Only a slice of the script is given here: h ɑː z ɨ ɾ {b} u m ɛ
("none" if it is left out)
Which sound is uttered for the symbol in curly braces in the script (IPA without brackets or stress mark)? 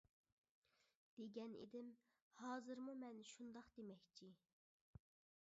m